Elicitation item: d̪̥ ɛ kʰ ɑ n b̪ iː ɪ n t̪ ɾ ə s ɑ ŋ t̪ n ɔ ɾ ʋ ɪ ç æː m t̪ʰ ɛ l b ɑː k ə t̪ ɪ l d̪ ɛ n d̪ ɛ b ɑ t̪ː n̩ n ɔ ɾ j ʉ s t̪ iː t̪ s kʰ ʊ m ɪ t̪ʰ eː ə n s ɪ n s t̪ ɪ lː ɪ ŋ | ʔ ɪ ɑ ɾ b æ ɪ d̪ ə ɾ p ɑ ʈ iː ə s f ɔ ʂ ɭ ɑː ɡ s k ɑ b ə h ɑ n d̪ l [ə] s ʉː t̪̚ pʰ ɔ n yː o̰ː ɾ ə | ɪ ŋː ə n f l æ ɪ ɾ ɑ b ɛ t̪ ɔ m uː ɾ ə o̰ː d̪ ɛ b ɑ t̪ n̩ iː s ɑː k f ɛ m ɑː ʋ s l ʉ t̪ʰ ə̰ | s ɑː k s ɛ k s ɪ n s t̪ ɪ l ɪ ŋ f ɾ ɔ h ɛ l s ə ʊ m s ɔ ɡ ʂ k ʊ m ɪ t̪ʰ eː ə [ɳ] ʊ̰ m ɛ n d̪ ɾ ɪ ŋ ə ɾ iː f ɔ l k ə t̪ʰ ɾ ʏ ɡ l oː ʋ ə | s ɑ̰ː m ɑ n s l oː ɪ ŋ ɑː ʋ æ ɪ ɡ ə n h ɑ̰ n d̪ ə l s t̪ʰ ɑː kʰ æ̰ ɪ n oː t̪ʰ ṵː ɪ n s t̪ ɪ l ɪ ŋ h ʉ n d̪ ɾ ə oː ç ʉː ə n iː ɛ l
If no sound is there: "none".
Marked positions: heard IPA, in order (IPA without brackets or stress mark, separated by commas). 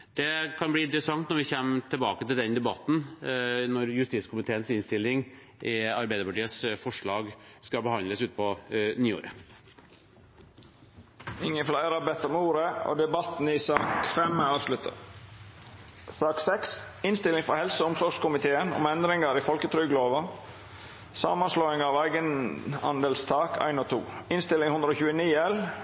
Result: ə, n